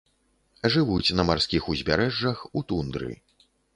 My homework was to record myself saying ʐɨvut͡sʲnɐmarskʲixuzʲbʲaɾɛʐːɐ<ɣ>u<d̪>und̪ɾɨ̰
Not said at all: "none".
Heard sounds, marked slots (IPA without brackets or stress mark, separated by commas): x, t̪